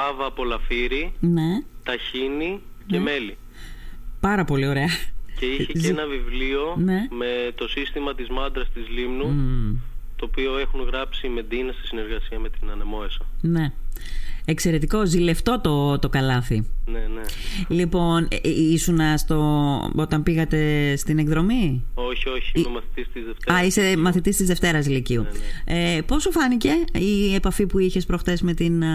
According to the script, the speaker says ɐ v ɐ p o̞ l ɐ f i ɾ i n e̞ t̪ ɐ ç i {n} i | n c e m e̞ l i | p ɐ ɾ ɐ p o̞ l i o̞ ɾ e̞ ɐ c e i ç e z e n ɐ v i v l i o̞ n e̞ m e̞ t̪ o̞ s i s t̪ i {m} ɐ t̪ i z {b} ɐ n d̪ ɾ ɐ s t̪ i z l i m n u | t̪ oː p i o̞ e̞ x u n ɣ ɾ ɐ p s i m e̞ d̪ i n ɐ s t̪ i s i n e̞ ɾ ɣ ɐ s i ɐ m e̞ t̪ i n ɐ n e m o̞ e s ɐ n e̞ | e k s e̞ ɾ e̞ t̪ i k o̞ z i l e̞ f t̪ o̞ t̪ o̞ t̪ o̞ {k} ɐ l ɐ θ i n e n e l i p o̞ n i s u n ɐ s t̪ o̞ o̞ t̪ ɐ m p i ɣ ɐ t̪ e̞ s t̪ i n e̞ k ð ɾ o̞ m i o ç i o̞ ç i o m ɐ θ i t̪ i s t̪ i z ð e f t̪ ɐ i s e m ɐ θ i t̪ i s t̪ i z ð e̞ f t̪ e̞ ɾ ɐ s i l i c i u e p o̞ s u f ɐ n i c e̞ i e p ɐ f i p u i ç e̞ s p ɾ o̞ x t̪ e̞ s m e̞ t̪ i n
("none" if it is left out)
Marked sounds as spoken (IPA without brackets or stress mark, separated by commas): n, m, m, k